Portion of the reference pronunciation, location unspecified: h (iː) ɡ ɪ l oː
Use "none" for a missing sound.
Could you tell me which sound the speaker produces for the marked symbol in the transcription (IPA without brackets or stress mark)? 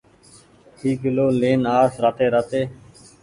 iː